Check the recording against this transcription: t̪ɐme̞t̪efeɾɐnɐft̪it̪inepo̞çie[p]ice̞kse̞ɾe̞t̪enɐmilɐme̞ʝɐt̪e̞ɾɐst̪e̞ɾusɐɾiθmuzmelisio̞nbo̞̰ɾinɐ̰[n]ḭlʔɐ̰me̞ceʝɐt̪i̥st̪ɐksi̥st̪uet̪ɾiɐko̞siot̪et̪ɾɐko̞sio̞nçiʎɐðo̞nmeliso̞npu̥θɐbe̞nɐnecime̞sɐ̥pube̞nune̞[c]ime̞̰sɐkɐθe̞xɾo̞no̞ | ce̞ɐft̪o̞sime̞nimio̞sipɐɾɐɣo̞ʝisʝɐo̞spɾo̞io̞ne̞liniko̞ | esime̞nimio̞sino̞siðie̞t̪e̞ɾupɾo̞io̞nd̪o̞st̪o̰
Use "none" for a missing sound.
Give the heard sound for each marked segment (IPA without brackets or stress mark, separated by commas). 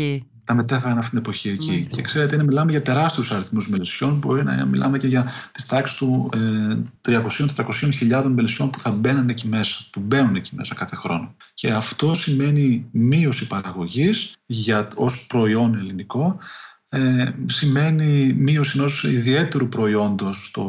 c, m, c